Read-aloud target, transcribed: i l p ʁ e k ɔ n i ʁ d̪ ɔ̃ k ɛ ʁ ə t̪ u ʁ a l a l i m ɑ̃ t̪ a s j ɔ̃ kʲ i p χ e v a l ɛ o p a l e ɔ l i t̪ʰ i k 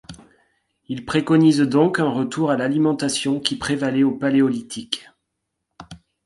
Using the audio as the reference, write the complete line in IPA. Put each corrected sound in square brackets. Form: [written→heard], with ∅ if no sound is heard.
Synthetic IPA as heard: i l p [ʁ→χ] e k ɔ n i [ʁ→z] d̪ ɔ̃ k [ɛ→ɛ̃] ʁ ə t̪ u ʁ a l a l i m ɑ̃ t̪ a s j ɔ̃ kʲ i p χ e v a l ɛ o p a l e ɔ l i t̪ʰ i k